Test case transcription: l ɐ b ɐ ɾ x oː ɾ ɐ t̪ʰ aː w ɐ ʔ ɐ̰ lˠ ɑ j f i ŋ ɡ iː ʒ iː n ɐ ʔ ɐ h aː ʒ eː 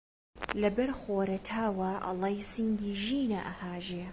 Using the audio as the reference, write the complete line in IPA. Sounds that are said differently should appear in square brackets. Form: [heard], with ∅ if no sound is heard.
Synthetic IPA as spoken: l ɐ b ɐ ɾ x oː ɾ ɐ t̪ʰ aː w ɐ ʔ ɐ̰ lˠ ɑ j [s] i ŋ ɡ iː ʒ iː n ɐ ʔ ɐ h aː ʒ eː